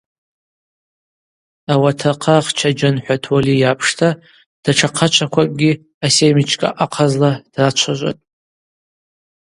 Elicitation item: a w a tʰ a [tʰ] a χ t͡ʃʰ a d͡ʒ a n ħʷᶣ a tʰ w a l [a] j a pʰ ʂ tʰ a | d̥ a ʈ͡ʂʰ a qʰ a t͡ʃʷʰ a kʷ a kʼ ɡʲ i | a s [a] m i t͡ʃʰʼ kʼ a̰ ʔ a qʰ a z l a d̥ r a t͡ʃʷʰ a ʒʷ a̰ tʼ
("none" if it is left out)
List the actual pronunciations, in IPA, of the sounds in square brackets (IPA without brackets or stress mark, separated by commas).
qʰ, i, e